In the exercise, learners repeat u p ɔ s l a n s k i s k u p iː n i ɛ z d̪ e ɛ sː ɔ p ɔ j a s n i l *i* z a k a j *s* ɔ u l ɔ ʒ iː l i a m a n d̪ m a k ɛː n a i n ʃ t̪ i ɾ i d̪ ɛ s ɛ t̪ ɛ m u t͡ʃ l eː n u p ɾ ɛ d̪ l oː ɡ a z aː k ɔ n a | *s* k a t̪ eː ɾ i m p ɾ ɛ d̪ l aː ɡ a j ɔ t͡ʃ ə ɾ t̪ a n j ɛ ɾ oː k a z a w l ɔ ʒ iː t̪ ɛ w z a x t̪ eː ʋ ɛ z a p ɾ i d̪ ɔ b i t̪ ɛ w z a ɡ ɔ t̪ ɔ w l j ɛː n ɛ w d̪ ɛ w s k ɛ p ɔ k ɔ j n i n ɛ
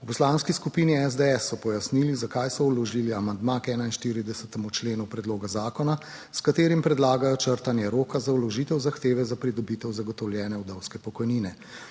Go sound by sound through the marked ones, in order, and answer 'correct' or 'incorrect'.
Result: correct, correct, correct

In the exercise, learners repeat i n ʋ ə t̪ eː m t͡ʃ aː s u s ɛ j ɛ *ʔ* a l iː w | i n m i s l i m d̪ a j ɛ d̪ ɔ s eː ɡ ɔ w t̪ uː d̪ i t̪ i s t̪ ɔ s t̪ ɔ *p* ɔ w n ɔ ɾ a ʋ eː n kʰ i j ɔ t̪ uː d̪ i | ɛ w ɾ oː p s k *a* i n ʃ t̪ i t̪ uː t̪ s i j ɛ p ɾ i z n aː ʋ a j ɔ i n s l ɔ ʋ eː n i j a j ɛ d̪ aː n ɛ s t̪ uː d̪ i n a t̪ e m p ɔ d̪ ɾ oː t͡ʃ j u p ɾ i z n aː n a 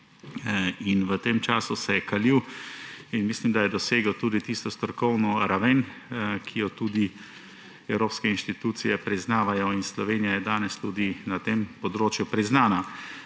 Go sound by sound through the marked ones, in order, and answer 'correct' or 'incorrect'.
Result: incorrect: k, incorrect: k, incorrect: ɛ

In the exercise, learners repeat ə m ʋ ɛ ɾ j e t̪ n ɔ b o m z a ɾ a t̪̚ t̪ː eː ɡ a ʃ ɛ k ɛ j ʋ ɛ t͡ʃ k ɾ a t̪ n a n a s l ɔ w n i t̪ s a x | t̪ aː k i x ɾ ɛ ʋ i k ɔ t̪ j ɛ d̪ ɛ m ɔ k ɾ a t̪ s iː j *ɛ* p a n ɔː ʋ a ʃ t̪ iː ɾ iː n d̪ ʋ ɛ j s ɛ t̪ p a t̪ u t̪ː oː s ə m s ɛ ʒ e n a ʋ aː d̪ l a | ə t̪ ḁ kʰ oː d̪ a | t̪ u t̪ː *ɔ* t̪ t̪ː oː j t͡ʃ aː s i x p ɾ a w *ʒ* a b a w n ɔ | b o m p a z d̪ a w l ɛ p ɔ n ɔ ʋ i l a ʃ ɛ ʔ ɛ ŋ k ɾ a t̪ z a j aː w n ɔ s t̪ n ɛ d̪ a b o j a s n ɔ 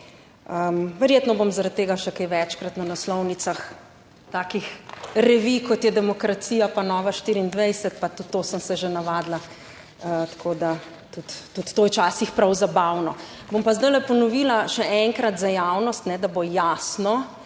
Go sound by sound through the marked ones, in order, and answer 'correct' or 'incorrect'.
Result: incorrect: a, incorrect: u, incorrect: z

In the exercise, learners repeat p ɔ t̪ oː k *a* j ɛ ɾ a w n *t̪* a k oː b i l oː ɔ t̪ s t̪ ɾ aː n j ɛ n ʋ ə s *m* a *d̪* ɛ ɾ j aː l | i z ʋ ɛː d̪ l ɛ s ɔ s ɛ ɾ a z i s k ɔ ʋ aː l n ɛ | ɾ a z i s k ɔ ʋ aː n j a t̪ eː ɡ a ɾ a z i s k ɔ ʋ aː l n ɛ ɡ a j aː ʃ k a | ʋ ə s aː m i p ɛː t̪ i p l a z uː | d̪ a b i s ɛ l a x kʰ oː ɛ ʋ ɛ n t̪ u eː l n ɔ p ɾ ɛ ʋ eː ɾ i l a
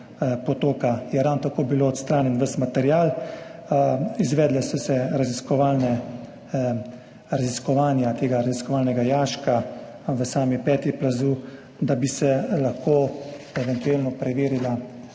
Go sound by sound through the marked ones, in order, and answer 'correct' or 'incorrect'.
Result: correct, correct, correct, incorrect: t̪

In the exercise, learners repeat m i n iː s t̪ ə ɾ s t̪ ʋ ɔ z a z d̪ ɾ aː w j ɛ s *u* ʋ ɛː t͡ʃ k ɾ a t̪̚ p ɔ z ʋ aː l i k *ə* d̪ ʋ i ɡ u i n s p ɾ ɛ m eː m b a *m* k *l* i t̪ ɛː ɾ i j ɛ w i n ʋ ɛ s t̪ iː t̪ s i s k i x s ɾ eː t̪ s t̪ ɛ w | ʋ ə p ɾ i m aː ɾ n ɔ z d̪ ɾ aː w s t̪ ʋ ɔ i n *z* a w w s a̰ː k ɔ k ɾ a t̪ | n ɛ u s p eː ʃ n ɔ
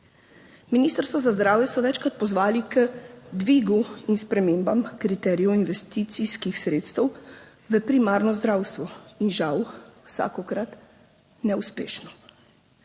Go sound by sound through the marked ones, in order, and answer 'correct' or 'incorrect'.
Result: incorrect: ɔ, correct, correct, incorrect: ɾ, incorrect: ʒ

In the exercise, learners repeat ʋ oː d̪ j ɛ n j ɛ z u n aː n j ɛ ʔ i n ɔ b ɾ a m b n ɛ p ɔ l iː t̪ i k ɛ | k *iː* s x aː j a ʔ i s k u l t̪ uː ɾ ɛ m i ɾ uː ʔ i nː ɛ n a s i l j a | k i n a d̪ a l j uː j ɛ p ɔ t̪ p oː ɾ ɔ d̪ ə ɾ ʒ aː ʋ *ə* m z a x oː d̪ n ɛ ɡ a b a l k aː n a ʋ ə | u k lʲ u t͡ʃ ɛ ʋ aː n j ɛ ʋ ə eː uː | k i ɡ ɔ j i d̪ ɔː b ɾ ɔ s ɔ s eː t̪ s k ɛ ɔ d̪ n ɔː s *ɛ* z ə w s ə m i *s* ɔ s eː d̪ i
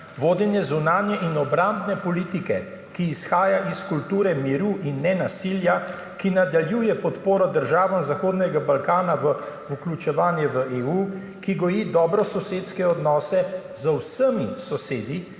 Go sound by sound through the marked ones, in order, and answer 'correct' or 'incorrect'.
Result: correct, incorrect: a, correct, correct

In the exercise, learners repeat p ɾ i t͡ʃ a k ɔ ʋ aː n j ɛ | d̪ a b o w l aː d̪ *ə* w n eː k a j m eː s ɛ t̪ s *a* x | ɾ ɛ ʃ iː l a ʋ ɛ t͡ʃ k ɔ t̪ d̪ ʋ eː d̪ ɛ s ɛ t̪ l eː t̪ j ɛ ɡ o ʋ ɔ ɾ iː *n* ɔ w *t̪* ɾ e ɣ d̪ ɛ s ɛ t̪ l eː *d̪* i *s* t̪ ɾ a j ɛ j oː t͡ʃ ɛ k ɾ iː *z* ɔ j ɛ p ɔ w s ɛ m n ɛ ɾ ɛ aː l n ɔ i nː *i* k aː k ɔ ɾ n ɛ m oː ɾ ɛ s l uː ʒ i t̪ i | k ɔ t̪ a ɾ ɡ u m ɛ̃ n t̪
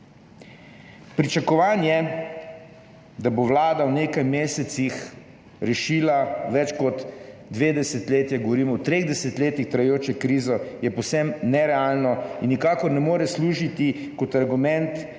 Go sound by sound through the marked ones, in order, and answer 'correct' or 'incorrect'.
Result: incorrect: a, incorrect: i, incorrect: m, correct, incorrect: t̪, incorrect: x, correct, correct

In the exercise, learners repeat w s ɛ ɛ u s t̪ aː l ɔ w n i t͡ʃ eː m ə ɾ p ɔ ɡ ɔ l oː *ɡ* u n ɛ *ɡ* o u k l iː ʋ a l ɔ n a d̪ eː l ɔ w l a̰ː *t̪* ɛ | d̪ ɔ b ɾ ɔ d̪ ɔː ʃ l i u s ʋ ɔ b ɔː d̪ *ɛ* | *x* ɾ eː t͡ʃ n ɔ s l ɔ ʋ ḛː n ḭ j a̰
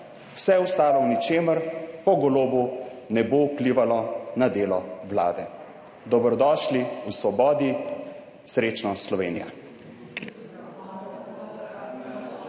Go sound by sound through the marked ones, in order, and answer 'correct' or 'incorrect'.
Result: incorrect: b, incorrect: b, incorrect: d̪, incorrect: i, incorrect: s

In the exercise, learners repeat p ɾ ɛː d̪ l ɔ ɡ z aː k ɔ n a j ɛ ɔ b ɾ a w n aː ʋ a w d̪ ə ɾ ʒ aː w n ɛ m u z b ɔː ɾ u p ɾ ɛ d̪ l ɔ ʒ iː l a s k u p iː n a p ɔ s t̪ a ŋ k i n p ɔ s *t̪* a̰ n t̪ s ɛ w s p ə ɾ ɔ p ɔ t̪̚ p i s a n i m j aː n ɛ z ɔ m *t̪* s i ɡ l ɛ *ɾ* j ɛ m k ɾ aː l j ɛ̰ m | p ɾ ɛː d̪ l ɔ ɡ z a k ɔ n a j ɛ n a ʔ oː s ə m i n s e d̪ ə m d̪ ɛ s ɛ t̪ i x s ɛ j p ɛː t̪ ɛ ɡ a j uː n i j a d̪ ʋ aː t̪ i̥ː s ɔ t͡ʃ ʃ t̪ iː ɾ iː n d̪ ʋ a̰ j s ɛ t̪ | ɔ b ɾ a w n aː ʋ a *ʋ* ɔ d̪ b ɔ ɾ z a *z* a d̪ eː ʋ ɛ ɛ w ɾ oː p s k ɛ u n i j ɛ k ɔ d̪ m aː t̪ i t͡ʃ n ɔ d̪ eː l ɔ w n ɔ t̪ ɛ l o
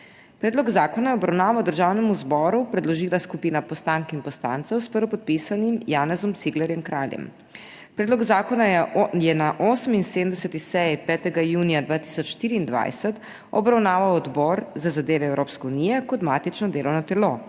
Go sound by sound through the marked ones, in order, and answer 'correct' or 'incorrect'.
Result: correct, correct, correct, incorrect: w, correct

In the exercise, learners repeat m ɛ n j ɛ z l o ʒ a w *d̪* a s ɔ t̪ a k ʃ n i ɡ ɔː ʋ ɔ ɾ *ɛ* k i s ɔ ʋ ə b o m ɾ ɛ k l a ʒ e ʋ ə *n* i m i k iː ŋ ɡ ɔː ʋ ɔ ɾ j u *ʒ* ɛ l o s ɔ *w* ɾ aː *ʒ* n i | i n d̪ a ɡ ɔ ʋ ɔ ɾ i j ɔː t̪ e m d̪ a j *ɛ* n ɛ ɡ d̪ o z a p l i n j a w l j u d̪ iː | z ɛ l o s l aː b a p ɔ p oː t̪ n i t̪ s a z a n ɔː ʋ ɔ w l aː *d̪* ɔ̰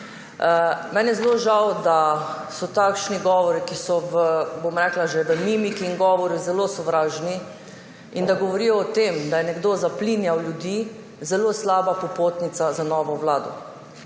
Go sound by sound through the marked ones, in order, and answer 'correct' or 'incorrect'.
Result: correct, incorrect: i, incorrect: m, incorrect: z, incorrect: ʋ, correct, correct, correct

